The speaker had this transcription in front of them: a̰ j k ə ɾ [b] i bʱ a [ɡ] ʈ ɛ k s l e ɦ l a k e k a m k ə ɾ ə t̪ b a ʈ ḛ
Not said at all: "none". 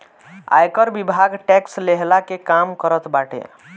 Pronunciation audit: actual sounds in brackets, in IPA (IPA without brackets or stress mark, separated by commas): b, ɡ